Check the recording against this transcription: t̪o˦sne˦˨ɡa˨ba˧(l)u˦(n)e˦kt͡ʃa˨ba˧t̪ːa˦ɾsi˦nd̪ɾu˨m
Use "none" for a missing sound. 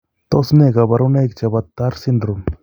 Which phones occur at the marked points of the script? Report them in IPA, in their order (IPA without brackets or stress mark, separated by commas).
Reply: ɾ, n